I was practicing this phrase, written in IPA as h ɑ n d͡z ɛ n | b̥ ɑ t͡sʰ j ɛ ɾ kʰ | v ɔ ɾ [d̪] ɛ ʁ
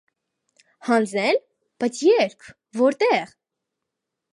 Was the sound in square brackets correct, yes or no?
no